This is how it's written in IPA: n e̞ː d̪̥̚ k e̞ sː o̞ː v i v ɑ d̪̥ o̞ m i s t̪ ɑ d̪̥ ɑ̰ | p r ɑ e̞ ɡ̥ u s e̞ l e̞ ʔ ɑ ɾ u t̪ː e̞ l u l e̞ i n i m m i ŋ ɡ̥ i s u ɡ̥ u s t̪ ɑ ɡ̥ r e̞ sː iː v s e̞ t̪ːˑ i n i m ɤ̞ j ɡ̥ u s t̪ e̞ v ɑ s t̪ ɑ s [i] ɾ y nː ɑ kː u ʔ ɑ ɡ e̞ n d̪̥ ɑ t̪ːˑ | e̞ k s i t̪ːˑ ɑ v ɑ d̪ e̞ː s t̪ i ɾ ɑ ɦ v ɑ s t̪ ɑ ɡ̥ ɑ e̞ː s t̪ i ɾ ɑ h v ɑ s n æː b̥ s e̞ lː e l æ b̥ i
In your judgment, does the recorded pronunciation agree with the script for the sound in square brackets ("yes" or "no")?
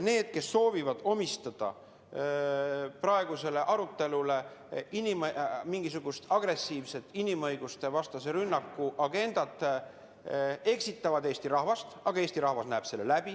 no